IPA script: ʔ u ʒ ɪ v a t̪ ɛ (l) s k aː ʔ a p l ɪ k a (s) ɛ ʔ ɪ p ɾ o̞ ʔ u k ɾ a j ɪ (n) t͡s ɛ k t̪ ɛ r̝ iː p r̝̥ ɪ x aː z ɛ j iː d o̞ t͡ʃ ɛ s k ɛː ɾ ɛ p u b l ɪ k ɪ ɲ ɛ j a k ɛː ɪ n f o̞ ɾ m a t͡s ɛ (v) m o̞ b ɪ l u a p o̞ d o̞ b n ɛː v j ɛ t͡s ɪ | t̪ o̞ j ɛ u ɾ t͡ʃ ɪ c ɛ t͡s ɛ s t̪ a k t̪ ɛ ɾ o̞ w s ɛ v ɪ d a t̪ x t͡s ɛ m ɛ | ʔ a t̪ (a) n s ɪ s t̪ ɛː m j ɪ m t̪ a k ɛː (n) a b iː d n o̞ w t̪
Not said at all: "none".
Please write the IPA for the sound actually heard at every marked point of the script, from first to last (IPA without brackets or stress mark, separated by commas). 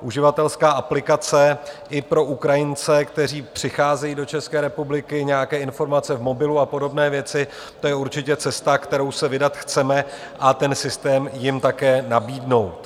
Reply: l, t͡s, n, v, ɛ, n